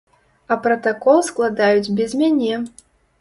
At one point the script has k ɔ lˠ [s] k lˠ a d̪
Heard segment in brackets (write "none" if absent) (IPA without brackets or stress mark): s